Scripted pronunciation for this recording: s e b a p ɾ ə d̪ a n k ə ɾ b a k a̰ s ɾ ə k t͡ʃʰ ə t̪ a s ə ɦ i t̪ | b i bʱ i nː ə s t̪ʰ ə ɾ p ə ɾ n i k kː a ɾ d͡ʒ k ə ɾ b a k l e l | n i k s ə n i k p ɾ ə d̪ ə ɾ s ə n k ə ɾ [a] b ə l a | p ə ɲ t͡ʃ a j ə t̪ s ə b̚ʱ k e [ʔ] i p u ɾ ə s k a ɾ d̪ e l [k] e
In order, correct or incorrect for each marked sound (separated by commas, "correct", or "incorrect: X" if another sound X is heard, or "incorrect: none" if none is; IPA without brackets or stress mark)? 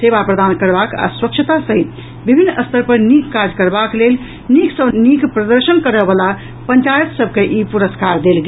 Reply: incorrect: ə, correct, incorrect: ɡ